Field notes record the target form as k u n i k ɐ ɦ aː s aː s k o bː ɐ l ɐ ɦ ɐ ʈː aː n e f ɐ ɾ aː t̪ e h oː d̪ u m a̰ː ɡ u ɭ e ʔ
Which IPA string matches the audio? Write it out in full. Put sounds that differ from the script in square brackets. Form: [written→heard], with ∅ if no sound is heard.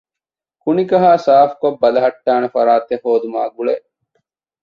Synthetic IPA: k u n i k ɐ ɦ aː s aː [s→f] k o bː ɐ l ɐ ɦ ɐ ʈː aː n e f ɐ ɾ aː t̪ e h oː d̪ u m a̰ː ɡ u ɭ e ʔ